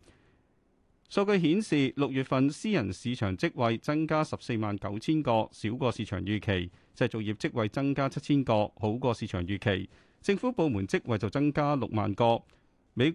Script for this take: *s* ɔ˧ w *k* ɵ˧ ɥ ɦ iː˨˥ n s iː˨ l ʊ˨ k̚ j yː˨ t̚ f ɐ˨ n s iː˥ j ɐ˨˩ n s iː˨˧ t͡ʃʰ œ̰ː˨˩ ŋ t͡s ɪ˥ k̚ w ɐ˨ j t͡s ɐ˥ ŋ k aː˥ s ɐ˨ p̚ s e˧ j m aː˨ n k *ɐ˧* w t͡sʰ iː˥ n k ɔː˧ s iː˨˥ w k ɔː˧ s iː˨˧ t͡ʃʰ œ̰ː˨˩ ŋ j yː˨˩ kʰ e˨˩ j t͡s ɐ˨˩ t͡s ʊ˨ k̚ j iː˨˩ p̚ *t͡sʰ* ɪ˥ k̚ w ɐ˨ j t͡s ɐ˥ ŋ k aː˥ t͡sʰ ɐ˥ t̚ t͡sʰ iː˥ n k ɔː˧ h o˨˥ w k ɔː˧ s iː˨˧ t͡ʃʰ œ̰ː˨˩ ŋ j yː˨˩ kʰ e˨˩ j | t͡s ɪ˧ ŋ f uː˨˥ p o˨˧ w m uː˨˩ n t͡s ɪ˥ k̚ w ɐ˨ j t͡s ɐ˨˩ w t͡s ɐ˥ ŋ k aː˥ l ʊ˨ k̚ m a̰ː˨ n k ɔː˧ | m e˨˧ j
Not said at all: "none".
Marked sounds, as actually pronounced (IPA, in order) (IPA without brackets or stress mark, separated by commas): s, k, ɐ˨˥, t͡s